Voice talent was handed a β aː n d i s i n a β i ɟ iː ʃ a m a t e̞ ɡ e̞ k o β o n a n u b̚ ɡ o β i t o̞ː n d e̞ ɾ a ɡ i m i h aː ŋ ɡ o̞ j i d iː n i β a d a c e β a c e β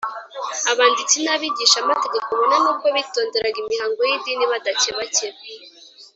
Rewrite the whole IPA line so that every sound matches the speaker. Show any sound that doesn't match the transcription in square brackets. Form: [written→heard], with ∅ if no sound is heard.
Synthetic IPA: a β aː n d i [s→t͡s] i n a β i ɟ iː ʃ a m a t e̞ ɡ e̞ k o β o n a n u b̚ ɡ o β i t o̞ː n d e̞ ɾ a ɡ i m i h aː ŋ ɡ o̞ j i d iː n i β a d a c e β a c e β